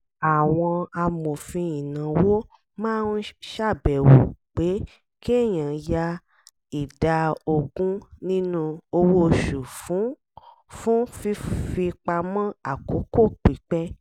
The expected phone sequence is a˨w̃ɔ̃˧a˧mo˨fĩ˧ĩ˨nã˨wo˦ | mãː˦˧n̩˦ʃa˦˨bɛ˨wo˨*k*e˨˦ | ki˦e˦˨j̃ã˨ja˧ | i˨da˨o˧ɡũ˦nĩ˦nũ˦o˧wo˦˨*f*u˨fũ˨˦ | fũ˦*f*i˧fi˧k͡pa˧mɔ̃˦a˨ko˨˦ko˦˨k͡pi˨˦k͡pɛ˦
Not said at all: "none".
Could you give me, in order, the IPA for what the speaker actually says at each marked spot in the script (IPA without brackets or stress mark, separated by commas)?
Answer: k͡p, ʃ, f